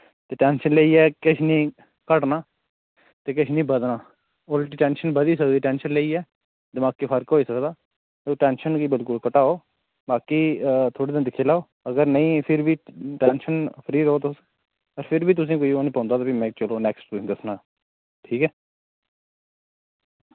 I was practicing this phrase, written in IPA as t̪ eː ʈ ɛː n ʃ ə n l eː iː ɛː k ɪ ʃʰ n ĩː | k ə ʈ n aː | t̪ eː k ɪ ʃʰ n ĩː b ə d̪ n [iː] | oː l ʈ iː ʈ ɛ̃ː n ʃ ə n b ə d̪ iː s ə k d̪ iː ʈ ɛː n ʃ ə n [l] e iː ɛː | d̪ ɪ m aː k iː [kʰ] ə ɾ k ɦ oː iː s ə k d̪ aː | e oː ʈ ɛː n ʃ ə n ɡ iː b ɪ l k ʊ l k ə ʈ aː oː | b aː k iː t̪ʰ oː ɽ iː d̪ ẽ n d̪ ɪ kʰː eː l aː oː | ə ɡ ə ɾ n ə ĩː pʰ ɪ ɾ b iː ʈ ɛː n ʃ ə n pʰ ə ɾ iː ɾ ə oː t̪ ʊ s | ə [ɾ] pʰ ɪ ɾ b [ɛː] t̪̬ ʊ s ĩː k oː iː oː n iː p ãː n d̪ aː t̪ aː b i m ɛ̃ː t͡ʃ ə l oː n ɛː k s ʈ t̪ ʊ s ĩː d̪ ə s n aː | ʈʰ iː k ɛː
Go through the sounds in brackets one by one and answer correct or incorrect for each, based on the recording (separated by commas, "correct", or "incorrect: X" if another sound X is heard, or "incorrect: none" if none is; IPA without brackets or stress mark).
incorrect: aː, correct, incorrect: pʰ, correct, incorrect: iː